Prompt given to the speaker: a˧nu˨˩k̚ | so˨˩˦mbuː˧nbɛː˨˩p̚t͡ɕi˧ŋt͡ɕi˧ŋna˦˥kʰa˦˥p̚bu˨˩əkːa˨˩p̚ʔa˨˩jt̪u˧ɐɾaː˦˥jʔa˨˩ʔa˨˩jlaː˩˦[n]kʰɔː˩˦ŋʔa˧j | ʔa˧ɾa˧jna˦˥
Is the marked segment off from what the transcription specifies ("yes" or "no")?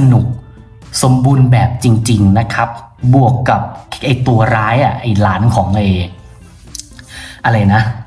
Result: no